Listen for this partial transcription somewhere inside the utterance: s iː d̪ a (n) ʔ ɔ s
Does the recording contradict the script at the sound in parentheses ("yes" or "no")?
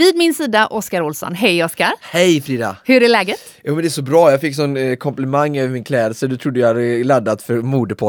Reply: yes